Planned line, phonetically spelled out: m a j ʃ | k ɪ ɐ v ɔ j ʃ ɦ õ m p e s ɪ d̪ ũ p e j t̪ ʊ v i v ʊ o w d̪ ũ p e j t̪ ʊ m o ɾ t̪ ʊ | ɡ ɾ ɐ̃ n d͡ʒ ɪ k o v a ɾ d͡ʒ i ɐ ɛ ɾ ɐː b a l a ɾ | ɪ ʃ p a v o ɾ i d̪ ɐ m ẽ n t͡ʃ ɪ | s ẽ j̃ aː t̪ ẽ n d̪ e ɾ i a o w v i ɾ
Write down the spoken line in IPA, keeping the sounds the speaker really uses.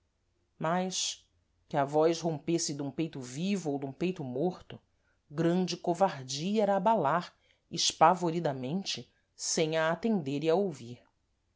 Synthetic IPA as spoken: m a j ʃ | k ɪ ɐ v ɔ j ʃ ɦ õ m p e s ɪ d̪ ũ p e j t̪ ʊ v i v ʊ o w d̪ ũ p e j t̪ ʊ m o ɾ t̪ ʊ | ɡ ɾ ɐ̃ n d͡ʒ ɪ k o v a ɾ d͡ʒ i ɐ ɛ ɾ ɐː b a l a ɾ | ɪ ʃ p a v o ɾ i d̪ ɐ m ẽ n t͡ʃ ɪ | s ẽ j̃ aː t̪ ẽ n d̪ e ɾ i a o w v i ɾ